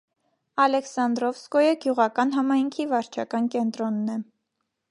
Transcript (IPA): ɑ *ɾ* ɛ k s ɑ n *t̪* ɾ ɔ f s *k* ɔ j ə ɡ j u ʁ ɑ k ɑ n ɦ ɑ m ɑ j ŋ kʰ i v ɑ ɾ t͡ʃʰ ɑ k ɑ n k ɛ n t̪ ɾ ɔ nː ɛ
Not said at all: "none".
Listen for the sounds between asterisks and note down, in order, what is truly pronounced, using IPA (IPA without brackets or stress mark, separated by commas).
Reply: l, d̪, k